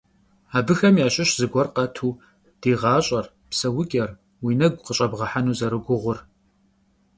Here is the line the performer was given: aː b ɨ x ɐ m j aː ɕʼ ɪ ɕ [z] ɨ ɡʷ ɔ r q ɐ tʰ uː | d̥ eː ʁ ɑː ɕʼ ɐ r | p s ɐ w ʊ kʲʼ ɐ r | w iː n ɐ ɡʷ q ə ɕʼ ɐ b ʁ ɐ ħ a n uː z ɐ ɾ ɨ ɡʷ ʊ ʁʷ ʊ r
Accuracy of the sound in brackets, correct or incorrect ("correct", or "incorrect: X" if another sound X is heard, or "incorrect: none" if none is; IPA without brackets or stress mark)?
correct